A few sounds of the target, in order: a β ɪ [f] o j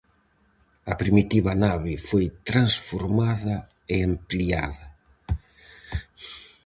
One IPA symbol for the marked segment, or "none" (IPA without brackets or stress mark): f